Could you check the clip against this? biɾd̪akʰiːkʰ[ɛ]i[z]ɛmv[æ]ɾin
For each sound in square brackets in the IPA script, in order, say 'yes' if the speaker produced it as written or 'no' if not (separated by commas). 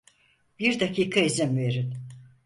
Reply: no, yes, no